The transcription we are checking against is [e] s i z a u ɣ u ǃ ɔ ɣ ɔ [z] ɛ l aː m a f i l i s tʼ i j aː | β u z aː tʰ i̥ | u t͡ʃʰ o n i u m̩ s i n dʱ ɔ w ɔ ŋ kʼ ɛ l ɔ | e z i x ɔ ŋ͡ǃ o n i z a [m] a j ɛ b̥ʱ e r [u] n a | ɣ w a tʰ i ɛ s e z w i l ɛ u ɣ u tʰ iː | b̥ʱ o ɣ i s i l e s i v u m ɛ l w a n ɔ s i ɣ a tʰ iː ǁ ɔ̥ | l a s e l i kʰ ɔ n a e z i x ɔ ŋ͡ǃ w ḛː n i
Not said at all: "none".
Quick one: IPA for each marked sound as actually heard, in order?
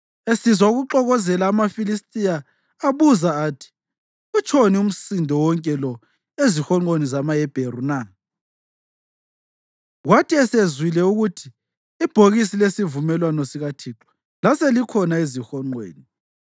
e, z, m, u

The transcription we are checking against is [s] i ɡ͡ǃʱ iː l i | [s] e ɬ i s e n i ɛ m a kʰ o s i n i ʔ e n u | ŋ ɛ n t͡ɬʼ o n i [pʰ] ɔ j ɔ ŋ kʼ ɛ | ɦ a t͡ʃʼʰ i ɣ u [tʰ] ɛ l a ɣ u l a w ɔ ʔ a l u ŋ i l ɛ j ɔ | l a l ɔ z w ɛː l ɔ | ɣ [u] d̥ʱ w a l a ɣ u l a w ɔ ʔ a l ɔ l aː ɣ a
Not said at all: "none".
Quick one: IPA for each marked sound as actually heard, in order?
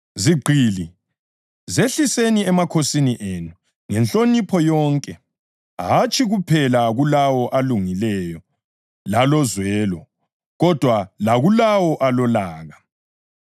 z, z, pʰ, pʰ, ɔ

